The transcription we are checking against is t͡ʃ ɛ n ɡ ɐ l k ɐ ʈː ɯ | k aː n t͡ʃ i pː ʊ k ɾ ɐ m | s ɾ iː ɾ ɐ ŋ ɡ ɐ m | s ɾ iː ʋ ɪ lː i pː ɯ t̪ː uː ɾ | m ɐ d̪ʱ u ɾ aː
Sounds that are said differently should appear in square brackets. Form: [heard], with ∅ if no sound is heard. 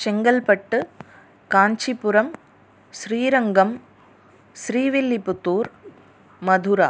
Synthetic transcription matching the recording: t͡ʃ ɛ [ŋ] ɡ ɐ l [p] ɐ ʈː ɯ | k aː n t͡ʃ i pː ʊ [∅] ɾ ɐ m | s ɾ iː ɾ ɐ ŋ ɡ ɐ m | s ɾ iː ʋ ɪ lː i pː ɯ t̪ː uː ɾ | m ɐ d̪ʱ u ɾ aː

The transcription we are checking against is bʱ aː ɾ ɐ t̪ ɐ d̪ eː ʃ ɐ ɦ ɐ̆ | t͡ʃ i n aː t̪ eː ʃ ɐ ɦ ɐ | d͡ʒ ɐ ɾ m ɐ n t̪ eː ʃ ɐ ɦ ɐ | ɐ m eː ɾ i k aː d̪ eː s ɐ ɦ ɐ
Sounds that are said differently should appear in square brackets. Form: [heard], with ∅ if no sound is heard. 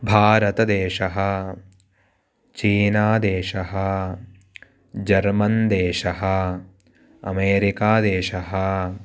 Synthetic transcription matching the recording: bʱ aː ɾ ɐ t̪ ɐ d̪ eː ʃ ɐ ɦ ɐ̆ | t͡ʃ [iː] n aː [d̪] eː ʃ ɐ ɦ ɐ | d͡ʒ ɐ ɾ m ɐ n [d̪] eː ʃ ɐ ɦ ɐ | ɐ m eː ɾ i k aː d̪ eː [ʃ] ɐ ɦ ɐ

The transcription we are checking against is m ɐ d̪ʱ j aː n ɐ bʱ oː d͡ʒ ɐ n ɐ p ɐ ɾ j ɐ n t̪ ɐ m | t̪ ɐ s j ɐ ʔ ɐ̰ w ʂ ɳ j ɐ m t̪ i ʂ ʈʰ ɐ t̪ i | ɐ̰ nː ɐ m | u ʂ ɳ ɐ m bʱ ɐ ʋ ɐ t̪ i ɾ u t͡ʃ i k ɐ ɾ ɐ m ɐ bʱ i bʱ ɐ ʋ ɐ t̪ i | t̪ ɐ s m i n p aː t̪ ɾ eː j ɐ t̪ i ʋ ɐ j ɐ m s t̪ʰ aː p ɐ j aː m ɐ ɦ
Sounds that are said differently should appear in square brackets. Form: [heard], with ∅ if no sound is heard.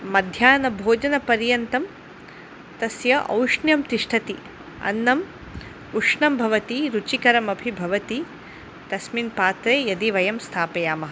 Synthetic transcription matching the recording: m ɐ d̪ʱ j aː n ɐ bʱ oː d͡ʒ ɐ n ɐ p ɐ ɾ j ɐ n t̪ ɐ m | t̪ ɐ s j ɐ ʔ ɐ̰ w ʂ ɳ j ɐ m t̪ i ʂ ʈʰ ɐ t̪ i | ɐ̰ nː ɐ m | u ʂ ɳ ɐ m bʱ ɐ ʋ ɐ t̪ i ɾ u t͡ʃ i k ɐ ɾ ɐ m ɐ bʱ i bʱ ɐ ʋ ɐ t̪ i | t̪ ɐ s m i n p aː t̪ ɾ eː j ɐ [d̪] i ʋ ɐ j ɐ m s t̪ʰ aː p ɐ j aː m ɐ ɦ

